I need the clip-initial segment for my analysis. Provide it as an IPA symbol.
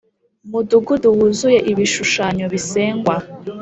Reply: m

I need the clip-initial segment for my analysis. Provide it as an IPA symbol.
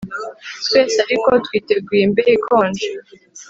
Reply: t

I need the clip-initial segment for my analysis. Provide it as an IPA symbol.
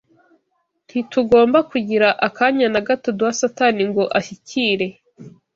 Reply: n̥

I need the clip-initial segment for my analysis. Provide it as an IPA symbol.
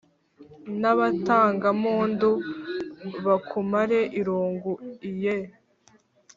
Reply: n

